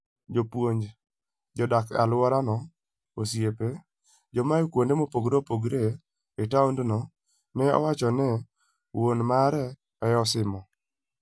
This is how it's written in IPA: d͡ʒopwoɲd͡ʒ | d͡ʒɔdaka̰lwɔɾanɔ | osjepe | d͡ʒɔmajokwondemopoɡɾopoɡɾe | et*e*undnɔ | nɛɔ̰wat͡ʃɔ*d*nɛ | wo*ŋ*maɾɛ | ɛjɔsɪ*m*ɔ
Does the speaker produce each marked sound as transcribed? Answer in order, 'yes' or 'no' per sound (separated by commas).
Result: no, no, no, yes